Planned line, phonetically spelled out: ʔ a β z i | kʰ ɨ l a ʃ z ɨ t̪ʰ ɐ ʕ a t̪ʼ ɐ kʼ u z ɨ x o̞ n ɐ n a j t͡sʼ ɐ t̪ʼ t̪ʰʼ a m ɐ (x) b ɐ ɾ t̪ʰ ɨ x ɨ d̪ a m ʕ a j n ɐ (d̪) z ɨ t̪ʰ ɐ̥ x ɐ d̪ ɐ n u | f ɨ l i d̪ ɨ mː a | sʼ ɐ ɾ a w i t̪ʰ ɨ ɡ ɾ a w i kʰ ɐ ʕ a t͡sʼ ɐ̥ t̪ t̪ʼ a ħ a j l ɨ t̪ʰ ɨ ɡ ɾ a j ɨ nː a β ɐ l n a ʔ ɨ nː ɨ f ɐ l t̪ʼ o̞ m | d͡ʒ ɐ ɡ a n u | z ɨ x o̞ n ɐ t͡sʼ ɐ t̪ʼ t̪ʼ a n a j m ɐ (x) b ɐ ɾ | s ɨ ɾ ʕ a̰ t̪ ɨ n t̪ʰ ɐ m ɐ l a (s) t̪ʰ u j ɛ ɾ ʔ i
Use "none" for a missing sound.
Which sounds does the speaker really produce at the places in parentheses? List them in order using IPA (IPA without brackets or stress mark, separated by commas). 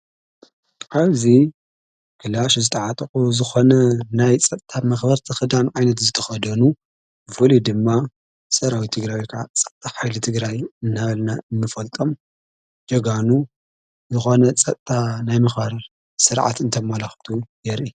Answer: x, t̪, x, x